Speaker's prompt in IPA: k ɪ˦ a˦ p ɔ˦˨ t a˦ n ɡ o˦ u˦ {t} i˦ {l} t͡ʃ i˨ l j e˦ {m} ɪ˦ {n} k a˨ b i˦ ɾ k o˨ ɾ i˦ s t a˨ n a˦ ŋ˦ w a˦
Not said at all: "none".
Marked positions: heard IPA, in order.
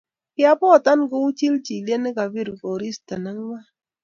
t͡ʃ, l, n, none

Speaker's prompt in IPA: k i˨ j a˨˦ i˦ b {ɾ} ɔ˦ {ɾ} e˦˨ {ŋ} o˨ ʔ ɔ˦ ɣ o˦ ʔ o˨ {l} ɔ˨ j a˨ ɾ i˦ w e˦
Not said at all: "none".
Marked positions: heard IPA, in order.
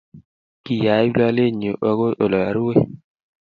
l, l, ɲ, l

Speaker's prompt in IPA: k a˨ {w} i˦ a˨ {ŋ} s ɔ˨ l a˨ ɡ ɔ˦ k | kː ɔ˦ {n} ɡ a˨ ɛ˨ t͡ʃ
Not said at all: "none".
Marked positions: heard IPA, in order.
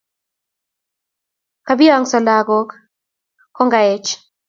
b, ŋ, ŋ

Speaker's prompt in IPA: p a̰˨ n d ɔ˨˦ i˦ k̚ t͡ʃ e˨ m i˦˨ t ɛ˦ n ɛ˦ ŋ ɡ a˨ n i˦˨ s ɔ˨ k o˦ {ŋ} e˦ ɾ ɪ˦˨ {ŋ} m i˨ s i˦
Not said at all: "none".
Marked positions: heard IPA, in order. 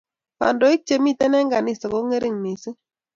ŋ, ŋ

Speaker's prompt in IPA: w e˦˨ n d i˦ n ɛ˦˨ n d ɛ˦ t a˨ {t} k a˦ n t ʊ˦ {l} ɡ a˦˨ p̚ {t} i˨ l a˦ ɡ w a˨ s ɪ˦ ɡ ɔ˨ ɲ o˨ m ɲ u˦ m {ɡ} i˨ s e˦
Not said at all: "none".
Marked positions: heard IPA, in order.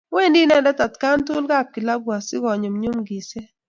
t, l, k, ɡ

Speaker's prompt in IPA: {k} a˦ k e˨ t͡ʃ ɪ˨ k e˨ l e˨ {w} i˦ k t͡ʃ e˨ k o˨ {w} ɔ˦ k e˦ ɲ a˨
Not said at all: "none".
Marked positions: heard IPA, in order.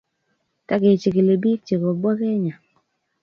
t, b, b

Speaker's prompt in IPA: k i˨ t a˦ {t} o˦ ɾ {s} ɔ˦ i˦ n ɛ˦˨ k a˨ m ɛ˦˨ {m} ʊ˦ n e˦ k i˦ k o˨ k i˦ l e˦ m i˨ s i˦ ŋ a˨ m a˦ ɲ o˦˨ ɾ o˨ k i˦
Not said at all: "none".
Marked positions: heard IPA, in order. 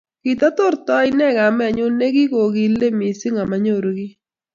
t, t, ɲ

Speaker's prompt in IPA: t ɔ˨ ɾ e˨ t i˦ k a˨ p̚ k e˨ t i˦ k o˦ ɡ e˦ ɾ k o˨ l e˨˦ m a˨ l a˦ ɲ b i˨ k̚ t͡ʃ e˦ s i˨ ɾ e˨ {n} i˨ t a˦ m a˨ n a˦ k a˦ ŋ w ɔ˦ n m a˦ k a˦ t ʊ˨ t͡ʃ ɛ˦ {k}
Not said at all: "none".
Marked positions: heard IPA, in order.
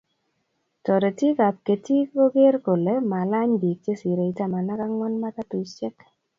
none, k

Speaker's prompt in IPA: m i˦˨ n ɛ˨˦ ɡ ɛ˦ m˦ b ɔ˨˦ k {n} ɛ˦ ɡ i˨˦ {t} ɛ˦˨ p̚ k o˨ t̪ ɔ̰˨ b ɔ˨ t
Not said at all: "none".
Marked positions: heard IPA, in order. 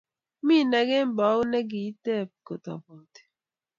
n, t

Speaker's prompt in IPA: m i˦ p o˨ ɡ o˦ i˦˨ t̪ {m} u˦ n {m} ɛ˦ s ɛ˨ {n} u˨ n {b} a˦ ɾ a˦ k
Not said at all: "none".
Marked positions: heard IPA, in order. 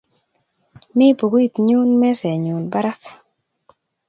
ɲ, m, ɲ, b

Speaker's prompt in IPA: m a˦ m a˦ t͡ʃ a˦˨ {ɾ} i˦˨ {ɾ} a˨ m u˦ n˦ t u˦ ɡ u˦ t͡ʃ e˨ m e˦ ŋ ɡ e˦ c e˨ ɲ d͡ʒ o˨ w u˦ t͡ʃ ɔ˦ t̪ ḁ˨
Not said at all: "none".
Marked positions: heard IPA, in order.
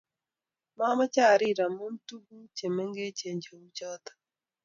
ɾ, ɾ

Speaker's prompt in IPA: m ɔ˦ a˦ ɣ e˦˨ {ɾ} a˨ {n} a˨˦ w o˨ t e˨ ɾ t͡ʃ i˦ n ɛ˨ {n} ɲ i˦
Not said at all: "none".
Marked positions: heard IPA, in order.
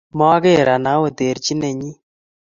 ɾ, n, none

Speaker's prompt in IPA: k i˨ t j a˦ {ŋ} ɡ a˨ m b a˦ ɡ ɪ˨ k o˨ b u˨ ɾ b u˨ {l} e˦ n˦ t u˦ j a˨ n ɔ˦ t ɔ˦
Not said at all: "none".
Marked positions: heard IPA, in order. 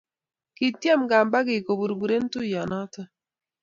m, ɾ

